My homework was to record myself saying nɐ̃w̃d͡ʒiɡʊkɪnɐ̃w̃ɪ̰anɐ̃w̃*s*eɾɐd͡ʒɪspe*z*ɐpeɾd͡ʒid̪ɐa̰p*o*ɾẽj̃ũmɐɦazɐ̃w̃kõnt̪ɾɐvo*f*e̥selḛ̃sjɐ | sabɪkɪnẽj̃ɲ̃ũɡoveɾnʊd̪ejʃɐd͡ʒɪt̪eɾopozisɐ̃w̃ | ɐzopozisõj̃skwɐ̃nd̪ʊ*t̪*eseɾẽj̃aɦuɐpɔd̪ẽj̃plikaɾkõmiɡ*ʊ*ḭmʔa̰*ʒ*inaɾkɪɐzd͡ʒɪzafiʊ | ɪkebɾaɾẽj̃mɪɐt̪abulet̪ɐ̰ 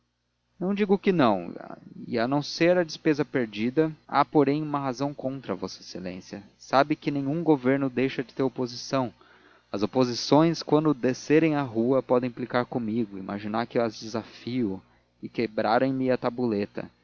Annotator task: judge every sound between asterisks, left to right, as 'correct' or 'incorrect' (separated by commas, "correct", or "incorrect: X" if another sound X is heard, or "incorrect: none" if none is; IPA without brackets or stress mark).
correct, correct, correct, incorrect: s, incorrect: d̪, correct, correct